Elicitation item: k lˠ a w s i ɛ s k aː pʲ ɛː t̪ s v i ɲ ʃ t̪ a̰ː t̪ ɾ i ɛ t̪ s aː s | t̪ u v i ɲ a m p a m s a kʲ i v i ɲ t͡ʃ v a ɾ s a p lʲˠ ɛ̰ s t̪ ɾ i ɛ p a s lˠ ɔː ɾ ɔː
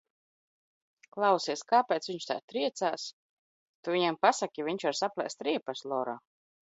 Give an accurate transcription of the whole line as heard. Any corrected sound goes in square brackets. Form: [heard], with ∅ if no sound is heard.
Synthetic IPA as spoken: k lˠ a w s i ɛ s k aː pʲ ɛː t̪ s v i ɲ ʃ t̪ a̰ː t̪ ɾ i ɛ t̪ s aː s | t̪ u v i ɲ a m p a [∅] s a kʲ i v i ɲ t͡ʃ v a ɾ s a p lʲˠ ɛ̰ s t̪ ɾ i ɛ p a s lˠ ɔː ɾ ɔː